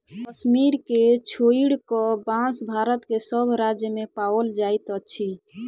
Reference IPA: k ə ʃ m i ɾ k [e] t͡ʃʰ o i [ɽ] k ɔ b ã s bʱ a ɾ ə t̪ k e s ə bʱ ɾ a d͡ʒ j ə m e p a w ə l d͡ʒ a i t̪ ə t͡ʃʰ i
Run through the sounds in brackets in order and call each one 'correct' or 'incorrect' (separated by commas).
correct, correct